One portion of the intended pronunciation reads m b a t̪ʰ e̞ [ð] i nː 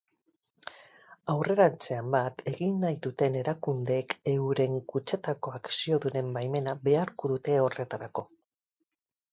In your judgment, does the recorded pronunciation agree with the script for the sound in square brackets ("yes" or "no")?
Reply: no